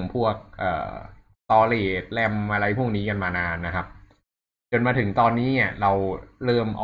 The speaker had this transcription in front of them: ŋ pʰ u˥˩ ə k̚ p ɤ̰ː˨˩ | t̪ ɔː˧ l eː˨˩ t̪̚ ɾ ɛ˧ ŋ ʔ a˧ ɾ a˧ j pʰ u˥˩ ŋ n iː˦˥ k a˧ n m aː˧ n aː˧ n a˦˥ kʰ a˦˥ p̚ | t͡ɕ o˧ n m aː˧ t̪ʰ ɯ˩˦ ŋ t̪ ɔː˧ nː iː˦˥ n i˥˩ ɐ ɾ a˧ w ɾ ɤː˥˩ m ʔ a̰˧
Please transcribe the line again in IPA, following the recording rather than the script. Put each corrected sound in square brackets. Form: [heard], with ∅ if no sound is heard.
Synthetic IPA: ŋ pʰ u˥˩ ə k̚ [ʔ] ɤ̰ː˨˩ | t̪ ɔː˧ l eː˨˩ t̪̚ [l] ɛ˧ [m] ʔ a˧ ɾ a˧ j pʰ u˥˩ ŋ n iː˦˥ k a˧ n m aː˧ n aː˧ [nː] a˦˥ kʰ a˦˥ p̚ | t͡ɕ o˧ n m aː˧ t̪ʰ ɯ˩˦ ŋ t̪ ɔː˧ nː iː˦˥ n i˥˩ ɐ ɾ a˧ w ɾ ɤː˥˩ m ʔ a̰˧